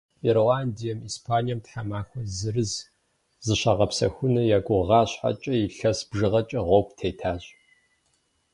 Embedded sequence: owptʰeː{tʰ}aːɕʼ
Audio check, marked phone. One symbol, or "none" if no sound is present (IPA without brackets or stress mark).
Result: tʰ